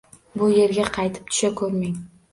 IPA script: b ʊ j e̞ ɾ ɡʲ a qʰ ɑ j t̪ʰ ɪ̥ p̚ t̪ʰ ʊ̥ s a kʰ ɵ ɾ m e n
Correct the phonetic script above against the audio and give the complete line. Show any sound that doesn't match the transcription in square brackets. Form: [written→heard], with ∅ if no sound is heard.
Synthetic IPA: b ʊ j e̞ ɾ ɡʲ a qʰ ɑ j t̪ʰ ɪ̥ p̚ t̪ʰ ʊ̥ [s→ʃ] a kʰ ɵ ɾ m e [n→ŋ]